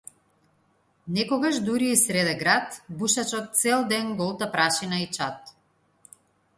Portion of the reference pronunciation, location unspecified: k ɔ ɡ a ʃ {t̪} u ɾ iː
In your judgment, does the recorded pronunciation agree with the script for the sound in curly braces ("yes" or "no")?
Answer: no